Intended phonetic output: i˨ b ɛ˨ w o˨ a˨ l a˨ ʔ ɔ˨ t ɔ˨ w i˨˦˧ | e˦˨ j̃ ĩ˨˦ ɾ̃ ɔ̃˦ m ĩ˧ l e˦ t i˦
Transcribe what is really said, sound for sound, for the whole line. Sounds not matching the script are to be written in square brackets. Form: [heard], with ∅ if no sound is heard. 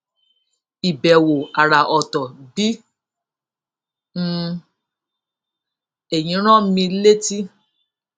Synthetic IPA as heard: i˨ b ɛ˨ w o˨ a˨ [ɾ] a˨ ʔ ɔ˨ t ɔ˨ [b] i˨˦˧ | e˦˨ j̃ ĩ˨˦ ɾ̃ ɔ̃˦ m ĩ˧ l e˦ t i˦